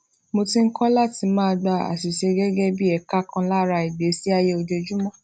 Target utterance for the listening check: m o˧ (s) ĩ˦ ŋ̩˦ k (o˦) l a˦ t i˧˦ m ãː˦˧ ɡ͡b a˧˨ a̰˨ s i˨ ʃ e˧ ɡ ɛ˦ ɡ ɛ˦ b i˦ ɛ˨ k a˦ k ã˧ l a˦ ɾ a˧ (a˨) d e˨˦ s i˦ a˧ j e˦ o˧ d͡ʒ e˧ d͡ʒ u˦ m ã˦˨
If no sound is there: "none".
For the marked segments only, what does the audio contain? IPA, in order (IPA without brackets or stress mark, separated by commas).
t, ɔ˦, i˨